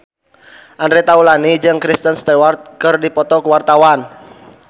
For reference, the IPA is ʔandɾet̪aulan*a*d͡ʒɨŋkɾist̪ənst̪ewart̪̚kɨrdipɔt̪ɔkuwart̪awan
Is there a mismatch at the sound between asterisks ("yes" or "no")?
yes